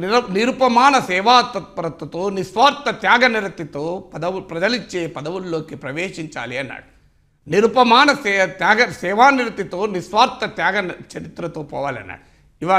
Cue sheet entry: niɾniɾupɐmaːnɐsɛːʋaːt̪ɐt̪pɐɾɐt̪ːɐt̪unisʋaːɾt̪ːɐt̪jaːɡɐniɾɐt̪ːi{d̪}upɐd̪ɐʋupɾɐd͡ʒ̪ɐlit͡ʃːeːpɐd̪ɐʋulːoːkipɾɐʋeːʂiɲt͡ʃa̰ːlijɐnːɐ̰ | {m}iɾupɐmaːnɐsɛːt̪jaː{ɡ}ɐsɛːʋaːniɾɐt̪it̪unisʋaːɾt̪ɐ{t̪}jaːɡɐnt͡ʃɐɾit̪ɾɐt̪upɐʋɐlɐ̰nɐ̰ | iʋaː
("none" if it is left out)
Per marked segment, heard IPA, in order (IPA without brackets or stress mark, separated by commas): t̪, n, ɡ, t̪